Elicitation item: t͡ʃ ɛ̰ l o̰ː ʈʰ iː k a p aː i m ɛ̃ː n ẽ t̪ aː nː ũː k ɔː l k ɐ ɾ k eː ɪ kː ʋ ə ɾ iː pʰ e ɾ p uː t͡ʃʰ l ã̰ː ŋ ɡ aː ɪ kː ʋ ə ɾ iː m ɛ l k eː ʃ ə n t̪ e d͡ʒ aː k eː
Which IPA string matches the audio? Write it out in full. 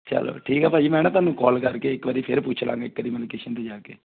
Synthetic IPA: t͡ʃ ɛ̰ l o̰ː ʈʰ iː k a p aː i m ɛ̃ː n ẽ t̪ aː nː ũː k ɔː l k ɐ ɾ k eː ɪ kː ʋ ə ɾ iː pʰ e ɾ p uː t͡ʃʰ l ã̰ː ŋ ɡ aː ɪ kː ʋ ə ɾ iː m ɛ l k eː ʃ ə n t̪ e d͡ʒ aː k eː